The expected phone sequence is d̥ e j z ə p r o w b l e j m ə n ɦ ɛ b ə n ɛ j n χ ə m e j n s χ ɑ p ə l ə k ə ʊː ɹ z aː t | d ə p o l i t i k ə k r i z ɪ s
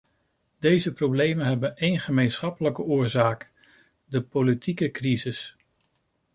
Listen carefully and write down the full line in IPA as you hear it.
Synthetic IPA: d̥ e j z ə p r o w b l e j m ə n ɦ ɛ b ə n e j n χ ə m e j n s χ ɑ p ə l ə k ə ʊː ɹ z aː k | d ə p o l i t i k ə k r i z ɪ s